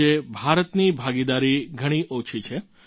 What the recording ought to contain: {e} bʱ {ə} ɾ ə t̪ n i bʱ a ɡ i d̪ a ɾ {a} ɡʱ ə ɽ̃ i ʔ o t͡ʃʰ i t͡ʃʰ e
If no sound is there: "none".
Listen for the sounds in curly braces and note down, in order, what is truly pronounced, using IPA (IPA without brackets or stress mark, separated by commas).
e, a, i